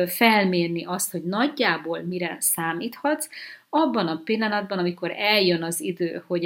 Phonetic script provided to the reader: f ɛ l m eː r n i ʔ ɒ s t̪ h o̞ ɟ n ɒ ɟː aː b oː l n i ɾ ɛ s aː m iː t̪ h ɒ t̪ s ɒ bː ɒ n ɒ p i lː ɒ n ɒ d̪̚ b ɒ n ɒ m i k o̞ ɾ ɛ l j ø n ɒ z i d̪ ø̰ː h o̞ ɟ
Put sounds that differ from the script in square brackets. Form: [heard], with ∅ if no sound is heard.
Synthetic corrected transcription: f ɛ l m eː r n i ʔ ɒ s t̪ h o̞ ɟ n ɒ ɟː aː b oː l [m] i ɾ ɛ s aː m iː t̪ h ɒ t̪ s ɒ bː ɒ n ɒ p i lː ɒ n ɒ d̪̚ b ɒ n ɒ m i k o̞ ɾ ɛ l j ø n ɒ z i d̪ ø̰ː h o̞ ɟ